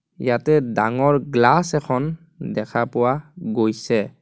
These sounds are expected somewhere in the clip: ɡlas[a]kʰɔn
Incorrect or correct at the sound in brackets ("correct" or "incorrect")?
incorrect